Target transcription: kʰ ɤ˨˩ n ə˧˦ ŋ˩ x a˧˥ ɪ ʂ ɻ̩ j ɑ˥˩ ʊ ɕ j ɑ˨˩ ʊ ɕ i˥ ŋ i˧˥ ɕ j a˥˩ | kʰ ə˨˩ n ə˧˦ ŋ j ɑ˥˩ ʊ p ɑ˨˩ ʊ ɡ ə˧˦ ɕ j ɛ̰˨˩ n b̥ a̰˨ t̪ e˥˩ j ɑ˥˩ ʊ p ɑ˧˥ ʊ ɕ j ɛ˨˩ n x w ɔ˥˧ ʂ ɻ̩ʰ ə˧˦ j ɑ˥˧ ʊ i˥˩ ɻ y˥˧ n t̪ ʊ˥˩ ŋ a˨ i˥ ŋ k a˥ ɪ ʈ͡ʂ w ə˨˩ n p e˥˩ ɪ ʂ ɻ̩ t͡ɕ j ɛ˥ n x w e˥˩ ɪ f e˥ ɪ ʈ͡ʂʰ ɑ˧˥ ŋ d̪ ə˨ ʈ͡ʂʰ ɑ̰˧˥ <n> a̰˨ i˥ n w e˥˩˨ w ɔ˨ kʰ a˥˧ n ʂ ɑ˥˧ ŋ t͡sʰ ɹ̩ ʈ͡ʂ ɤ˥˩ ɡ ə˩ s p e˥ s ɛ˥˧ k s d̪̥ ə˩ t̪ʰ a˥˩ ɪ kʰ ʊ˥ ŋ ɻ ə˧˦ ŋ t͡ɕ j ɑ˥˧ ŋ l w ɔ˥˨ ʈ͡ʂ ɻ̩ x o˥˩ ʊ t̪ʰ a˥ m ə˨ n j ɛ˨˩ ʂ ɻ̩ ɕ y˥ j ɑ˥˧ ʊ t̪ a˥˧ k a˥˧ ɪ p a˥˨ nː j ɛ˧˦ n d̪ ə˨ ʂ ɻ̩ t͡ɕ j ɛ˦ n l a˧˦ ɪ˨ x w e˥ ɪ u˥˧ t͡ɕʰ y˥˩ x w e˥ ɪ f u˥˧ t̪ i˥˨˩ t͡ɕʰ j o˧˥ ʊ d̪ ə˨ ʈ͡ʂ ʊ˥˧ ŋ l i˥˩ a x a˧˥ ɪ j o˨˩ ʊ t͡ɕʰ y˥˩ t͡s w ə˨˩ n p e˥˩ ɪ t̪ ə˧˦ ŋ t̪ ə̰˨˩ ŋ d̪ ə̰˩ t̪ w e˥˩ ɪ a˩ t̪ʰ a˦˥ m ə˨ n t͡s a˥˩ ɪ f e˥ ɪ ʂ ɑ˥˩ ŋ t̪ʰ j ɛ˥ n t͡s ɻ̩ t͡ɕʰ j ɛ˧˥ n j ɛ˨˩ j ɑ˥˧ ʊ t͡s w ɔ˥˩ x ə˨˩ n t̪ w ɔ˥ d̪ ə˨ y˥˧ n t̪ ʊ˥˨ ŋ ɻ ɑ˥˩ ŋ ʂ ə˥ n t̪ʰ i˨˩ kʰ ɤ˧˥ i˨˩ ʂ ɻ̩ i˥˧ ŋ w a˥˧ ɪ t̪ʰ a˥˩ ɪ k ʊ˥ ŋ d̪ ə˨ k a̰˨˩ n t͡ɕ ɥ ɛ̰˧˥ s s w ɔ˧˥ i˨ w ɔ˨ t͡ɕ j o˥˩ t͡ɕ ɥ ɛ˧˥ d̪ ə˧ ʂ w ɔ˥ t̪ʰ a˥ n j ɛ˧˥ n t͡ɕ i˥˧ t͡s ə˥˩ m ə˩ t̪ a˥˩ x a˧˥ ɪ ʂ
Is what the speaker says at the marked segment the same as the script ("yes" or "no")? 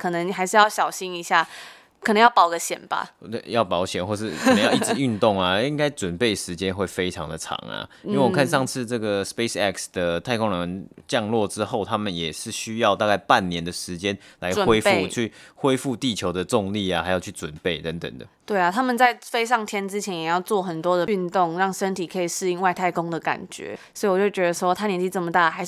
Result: no